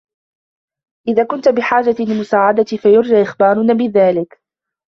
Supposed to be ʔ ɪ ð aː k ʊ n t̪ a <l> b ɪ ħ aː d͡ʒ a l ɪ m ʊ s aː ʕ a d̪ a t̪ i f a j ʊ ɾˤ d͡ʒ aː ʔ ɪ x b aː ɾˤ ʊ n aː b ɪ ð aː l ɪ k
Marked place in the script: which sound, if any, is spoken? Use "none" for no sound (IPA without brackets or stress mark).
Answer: none